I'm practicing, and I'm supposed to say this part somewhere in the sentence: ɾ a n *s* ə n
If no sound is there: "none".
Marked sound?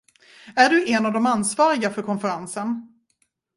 s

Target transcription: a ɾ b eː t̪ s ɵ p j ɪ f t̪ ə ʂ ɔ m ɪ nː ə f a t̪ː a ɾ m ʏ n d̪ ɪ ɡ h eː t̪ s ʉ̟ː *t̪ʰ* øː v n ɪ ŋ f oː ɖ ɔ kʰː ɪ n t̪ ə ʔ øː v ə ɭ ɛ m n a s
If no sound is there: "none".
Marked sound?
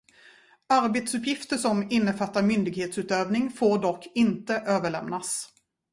t̪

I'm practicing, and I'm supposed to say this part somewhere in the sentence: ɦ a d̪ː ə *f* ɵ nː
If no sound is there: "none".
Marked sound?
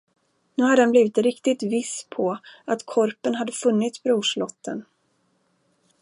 f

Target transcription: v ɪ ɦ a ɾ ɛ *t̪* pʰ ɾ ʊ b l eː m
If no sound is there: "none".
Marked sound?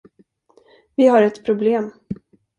t̪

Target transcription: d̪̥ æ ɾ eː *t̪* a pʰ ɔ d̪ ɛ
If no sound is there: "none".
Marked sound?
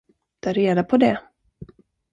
d̪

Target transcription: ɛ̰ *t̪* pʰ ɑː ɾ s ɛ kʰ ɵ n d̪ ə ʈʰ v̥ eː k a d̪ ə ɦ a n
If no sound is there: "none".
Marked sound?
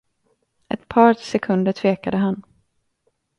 t̪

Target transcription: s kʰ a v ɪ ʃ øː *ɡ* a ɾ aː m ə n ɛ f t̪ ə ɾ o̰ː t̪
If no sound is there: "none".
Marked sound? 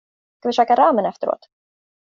k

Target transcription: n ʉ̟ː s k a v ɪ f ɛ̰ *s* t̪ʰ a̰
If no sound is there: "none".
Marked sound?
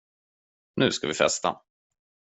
s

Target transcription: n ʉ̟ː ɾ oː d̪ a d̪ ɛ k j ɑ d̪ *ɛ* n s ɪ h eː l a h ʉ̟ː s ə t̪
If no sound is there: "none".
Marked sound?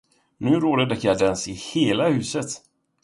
ɛ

